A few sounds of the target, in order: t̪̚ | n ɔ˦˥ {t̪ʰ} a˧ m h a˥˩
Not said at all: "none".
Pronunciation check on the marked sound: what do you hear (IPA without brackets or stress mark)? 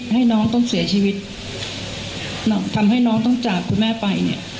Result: t̪ʰ